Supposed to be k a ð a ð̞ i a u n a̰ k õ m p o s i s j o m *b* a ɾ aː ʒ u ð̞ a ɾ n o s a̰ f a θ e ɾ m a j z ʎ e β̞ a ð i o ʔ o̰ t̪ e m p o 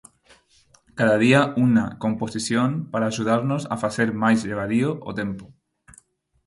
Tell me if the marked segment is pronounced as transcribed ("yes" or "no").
no